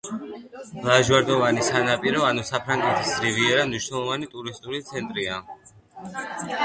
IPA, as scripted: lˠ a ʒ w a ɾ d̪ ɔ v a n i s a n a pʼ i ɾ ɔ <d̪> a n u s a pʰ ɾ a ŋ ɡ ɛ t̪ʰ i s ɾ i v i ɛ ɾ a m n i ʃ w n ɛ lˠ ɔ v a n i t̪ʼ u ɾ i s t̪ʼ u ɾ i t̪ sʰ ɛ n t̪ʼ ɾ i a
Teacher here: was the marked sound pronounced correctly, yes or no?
no